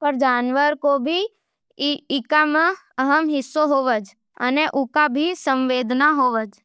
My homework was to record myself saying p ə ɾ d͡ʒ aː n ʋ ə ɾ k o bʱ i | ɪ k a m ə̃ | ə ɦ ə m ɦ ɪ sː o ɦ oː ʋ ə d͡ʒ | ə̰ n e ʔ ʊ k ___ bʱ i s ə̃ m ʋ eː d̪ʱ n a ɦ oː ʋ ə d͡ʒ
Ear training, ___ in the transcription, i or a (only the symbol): a